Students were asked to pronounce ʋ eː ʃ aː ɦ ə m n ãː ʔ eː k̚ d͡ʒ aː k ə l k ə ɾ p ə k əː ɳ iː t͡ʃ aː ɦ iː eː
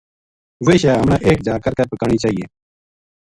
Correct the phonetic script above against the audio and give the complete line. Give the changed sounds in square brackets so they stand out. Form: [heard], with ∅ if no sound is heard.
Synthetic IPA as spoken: ʋ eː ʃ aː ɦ ə m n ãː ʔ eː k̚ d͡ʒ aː k ə [ɾ] k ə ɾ p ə k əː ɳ iː t͡ʃ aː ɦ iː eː